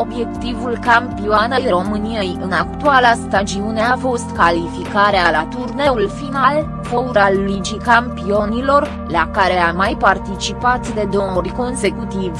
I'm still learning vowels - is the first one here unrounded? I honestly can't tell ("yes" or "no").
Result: no